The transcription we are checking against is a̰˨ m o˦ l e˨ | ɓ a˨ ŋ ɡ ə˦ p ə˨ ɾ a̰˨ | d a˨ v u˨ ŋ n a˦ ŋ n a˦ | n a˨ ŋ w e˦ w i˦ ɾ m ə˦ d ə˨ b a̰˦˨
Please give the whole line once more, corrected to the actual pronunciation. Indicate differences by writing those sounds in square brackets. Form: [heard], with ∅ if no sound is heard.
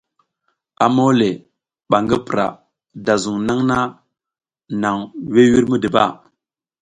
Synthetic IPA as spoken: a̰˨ m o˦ l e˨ | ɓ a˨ ŋ ɡ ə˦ p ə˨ ɾ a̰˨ | d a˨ [z] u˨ ŋ n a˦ ŋ n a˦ | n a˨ ŋ w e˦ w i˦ ɾ m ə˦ d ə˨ b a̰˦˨